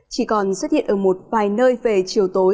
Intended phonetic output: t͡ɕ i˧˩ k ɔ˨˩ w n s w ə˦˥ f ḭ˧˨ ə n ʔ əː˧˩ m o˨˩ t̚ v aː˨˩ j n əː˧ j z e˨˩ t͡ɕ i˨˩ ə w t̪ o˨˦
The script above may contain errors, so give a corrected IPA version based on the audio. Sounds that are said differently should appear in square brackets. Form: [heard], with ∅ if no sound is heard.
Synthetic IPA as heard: t͡ɕ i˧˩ k ɔ˨˩ [∅] n s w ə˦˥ [h] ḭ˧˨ ə n ʔ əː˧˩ m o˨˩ t̚ v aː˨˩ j n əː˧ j [v] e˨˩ t͡ɕ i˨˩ ə w t̪ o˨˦

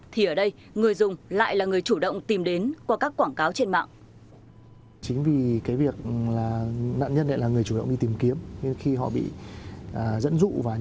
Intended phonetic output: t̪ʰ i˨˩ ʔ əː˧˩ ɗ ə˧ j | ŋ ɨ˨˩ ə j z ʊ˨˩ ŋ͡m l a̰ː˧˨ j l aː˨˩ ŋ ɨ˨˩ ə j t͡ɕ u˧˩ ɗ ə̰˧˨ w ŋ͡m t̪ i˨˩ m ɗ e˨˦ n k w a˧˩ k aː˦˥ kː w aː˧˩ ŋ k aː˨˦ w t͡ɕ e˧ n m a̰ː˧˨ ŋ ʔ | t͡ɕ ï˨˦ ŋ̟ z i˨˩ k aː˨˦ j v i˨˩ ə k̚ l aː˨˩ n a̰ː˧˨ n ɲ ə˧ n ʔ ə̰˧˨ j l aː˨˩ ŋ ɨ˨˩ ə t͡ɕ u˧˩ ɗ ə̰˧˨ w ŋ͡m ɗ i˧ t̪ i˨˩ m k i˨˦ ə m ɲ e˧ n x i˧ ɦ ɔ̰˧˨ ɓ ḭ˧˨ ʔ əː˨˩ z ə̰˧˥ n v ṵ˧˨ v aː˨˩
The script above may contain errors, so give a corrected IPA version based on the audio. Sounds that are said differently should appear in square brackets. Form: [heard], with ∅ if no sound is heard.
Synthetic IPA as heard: t̪ʰ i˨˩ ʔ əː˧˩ ɗ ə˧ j | ŋ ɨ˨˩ ə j z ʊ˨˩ ŋ͡m l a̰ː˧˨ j l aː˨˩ ŋ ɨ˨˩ ə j t͡ɕ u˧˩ ɗ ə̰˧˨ w ŋ͡m t̪ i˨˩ m ɗ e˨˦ n k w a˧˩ k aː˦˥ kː w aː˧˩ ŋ k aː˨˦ w t͡ɕ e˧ n m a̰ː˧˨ ŋ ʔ | t͡ɕ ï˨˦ ŋ̟ [v] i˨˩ k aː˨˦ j v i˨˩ ə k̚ l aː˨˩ n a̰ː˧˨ n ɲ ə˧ n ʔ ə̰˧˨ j l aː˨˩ ŋ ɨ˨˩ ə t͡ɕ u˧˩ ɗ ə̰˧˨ w ŋ͡m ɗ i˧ t̪ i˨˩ m k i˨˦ ə m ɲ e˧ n x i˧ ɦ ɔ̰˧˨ ɓ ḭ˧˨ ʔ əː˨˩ z ə̰˧˥ n [z] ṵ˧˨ v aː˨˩

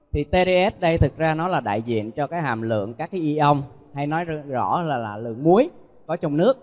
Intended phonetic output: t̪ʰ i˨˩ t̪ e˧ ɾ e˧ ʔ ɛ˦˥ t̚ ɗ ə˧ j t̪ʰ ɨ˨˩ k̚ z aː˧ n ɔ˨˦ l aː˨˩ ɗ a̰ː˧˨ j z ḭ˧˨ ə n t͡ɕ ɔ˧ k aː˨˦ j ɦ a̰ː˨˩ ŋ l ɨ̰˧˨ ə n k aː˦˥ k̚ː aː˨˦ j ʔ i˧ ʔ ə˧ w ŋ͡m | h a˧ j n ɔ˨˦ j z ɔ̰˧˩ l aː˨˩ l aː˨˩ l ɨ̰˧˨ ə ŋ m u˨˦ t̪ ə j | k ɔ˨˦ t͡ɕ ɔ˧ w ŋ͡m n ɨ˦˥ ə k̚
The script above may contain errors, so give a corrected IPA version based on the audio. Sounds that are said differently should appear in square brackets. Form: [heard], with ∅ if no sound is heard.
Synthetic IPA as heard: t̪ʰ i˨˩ t̪ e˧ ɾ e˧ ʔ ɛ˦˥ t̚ ɗ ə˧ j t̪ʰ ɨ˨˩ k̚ z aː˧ n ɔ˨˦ l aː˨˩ ɗ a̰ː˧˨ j z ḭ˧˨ ə n t͡ɕ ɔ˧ k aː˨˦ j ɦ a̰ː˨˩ [m] l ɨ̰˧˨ ə [ŋ] k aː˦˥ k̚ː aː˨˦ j ʔ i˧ ʔ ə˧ w ŋ͡m | h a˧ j n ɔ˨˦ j z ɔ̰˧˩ l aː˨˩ l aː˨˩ l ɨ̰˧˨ ə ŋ m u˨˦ [∅] ə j | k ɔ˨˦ t͡ɕ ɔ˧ w ŋ͡m n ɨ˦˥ ə k̚

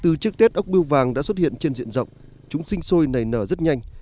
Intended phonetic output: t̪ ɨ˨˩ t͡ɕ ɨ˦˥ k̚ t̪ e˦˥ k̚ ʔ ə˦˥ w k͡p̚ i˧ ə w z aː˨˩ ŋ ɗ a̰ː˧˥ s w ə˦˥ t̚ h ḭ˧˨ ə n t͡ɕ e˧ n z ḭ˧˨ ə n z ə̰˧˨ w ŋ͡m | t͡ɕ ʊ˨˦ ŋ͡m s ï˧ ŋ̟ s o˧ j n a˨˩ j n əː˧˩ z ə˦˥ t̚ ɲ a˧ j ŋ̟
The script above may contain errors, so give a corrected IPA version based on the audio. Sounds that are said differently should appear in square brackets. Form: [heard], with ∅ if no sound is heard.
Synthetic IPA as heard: t̪ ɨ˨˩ t͡ɕ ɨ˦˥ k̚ t̪ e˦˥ [t̚] ʔ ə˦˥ w k͡p̚ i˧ ə w [v] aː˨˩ ŋ ɗ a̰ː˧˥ s w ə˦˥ t̚ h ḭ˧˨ ə n t͡ɕ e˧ n z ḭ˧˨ ə n z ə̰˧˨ w ŋ͡m | t͡ɕ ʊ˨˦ ŋ͡m s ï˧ ŋ̟ s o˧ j n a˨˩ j n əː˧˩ z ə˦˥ t̚ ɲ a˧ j ŋ̟

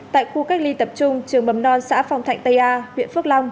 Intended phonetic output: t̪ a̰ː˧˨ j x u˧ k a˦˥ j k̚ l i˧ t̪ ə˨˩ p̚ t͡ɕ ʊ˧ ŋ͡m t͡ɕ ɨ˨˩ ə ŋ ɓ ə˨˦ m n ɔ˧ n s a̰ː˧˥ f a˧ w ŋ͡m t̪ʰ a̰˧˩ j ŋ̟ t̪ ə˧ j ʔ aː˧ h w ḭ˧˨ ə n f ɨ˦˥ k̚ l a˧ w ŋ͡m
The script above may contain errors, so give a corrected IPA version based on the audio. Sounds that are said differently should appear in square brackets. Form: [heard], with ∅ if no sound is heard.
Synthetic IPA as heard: t̪ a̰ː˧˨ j x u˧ k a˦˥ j k̚ l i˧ t̪ ə˨˩ p̚ t͡ɕ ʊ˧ ŋ͡m t͡ɕ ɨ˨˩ ə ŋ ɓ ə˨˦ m n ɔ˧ n s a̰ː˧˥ f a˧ w ŋ͡m t̪ʰ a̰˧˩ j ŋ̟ t̪ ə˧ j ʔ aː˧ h w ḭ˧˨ ə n f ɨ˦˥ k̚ l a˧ w ŋ͡m

